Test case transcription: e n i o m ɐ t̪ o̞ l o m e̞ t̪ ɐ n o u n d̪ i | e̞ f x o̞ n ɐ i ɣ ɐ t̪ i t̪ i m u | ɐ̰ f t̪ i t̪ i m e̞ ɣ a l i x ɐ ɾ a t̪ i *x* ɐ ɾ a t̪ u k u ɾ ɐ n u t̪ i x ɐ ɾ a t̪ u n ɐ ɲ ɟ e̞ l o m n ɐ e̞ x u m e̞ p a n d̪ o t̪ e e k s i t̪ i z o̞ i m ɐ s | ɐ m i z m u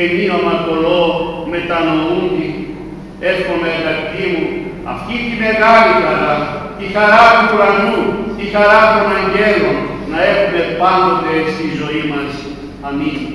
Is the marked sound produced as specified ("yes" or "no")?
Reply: yes